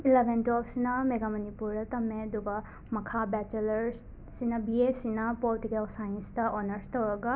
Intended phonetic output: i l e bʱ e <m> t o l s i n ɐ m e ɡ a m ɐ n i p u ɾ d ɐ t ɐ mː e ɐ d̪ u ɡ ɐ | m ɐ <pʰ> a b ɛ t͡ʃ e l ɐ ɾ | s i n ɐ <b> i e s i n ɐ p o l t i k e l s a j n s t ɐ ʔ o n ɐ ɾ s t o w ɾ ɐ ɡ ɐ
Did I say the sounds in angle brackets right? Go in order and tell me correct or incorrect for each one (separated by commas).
incorrect, incorrect, correct